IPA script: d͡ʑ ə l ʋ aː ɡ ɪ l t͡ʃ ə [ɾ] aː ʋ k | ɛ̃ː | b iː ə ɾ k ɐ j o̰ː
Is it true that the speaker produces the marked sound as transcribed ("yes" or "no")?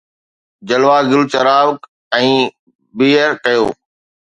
yes